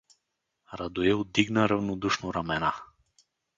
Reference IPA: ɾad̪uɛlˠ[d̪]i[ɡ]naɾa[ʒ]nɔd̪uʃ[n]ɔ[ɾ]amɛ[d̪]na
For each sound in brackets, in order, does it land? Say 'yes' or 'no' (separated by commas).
yes, yes, no, yes, yes, no